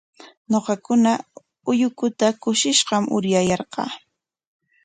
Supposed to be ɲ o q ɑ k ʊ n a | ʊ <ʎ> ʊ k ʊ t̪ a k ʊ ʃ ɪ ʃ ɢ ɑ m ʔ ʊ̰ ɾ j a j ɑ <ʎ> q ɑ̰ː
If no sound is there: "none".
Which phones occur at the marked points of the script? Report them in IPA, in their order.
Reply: j, ɾ

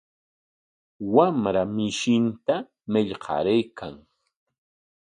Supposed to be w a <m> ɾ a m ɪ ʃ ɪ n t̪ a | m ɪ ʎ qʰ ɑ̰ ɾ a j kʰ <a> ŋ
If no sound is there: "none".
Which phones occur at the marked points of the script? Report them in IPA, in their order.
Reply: m, a

